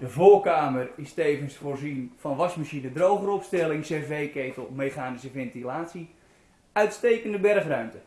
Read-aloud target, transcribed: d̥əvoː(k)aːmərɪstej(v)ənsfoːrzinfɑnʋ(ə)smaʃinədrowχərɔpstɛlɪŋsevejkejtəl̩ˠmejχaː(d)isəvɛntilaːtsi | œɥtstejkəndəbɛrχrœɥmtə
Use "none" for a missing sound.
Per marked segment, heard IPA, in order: k, v, ɑ, n

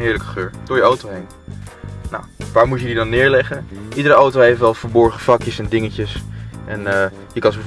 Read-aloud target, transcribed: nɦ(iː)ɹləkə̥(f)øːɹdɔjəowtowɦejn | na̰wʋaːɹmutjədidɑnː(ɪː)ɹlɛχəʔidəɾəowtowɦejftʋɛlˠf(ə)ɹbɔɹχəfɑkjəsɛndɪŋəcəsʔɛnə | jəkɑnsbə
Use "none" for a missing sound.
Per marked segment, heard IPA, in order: ɪː, χ, ɪː, ə

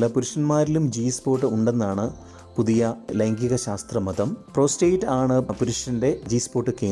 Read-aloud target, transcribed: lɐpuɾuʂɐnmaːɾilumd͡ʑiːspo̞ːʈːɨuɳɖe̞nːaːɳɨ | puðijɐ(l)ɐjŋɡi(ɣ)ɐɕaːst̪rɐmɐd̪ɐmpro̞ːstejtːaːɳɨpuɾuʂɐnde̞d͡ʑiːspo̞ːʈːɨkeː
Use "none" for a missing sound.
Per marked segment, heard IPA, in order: l, ɣ

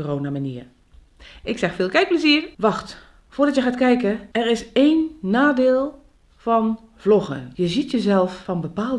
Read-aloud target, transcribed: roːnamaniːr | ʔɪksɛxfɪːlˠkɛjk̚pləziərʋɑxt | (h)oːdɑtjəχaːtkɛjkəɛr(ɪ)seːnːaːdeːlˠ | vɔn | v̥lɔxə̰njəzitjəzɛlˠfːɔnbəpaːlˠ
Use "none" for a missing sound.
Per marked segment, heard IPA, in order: f, ɪ

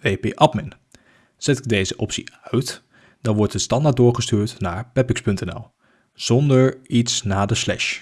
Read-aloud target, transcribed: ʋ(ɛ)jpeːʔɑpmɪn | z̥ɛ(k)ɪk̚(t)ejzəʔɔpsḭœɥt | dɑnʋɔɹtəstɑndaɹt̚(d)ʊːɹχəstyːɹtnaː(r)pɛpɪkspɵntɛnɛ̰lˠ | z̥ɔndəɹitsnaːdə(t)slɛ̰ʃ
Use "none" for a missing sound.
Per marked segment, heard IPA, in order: e, t, d, d, ɹ, none

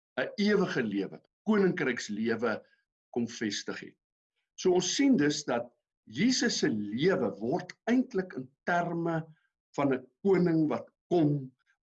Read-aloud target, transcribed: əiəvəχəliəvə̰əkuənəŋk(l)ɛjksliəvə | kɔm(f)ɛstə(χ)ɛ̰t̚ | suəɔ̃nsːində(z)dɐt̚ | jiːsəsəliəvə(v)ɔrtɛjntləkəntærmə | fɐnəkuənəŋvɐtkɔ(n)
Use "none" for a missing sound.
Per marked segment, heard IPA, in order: r, f, χ, s, v, m

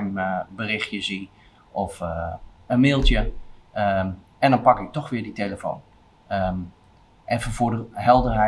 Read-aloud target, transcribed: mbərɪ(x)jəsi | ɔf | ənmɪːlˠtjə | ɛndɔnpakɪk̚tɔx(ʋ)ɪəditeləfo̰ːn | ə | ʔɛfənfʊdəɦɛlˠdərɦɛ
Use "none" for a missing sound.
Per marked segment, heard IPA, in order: x, ʋ

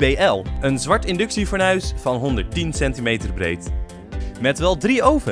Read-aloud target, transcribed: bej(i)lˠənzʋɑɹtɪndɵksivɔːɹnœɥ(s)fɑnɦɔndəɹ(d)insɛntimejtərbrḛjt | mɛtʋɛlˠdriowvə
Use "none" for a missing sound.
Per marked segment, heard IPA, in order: ɛ, s, t

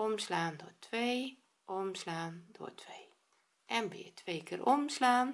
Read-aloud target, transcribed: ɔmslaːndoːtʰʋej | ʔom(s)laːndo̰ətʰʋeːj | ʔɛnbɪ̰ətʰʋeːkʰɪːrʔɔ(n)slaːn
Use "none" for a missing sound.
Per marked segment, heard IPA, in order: s, m

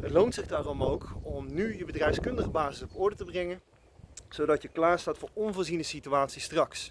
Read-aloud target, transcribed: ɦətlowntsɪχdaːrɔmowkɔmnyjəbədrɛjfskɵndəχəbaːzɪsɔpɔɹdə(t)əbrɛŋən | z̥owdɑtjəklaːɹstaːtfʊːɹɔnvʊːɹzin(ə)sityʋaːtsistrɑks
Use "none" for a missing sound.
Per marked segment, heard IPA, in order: t, ə

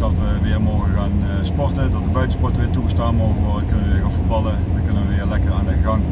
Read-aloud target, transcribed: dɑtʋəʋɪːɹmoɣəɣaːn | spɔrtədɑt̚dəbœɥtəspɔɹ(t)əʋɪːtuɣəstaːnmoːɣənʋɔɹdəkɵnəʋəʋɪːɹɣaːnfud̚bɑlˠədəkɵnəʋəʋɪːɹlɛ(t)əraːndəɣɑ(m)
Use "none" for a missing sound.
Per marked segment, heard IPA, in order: t, k, ŋ

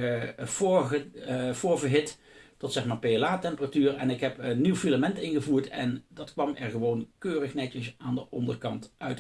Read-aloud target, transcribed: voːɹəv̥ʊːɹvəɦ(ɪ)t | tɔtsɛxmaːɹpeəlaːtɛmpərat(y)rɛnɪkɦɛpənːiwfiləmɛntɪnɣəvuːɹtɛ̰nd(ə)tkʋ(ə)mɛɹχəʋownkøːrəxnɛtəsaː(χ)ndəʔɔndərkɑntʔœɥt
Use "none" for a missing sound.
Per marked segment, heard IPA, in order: ɪ, yː, ɑ, ɑ, none

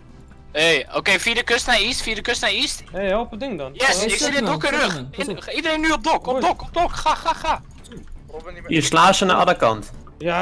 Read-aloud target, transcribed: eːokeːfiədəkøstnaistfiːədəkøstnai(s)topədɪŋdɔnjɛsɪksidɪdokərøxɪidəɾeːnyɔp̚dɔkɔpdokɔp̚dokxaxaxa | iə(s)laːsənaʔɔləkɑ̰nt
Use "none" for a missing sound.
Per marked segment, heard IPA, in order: s, s

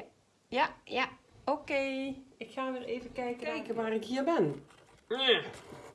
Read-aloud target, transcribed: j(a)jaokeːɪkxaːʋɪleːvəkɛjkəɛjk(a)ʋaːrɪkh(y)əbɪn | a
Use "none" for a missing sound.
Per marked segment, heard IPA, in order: a, ə, i

